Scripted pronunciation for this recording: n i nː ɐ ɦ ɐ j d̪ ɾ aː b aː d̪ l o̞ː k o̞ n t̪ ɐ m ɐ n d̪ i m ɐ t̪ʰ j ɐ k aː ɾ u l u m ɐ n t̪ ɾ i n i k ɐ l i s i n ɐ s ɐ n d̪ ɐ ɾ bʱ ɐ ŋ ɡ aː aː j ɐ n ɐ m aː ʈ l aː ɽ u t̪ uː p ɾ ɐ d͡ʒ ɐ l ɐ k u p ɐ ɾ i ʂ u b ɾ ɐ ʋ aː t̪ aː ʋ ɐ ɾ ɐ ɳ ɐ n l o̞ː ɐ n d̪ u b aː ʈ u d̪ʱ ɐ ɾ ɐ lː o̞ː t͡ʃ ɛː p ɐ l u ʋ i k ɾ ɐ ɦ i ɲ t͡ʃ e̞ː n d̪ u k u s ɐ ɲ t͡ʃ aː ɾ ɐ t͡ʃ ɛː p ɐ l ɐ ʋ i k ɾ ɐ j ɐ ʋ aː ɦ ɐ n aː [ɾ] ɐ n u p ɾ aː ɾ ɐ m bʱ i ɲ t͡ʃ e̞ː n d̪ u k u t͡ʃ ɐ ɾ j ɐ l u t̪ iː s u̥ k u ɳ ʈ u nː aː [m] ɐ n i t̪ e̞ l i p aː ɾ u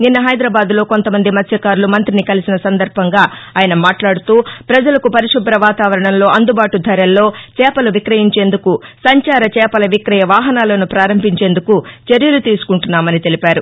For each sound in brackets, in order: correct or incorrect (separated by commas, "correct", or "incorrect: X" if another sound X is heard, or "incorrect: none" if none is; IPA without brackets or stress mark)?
incorrect: l, correct